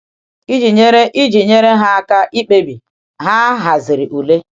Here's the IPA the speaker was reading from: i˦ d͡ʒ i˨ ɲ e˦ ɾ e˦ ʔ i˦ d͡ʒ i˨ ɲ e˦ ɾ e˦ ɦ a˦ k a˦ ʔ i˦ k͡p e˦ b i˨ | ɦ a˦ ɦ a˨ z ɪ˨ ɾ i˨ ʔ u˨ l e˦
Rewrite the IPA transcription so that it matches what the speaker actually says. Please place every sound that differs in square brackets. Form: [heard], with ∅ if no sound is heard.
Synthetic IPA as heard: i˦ d͡ʒ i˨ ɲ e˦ ɾ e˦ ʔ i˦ d͡ʒ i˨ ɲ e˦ ɾ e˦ ɦ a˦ k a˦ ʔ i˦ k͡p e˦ b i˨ | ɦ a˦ ɦ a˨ z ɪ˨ ɾ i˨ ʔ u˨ l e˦